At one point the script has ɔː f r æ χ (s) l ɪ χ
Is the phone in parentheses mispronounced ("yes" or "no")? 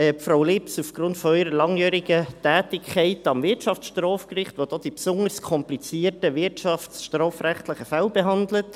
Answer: yes